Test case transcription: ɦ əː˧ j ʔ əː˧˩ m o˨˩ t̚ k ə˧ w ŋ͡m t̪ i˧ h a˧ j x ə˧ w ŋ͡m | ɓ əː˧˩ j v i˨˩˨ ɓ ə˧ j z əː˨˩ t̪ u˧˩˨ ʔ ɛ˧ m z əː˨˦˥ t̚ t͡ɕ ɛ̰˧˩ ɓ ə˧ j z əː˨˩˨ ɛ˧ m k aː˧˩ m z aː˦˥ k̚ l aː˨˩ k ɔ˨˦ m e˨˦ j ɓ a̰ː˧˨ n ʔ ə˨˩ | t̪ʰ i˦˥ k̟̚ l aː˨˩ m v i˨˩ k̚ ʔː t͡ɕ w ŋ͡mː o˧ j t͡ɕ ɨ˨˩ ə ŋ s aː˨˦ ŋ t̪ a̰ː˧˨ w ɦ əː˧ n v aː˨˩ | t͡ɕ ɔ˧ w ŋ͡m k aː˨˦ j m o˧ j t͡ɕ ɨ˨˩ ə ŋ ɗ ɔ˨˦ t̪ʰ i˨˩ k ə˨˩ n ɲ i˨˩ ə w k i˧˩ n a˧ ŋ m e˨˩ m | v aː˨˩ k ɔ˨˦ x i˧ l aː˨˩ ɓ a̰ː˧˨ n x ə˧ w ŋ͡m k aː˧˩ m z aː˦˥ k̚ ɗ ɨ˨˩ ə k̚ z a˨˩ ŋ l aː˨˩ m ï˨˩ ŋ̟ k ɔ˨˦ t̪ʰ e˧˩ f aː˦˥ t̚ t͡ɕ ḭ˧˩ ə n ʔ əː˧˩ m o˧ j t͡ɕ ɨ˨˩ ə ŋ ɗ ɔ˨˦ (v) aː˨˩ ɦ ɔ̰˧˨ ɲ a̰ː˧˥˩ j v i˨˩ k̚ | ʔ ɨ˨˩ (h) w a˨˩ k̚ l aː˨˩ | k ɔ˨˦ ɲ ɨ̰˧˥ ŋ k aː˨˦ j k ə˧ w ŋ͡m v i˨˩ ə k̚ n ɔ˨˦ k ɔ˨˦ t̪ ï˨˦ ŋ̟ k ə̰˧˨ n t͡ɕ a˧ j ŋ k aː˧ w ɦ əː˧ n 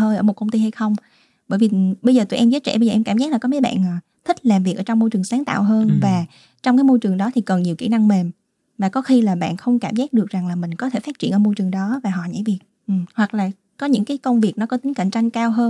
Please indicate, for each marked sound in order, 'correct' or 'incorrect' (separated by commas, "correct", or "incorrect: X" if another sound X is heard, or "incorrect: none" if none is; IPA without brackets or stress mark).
correct, correct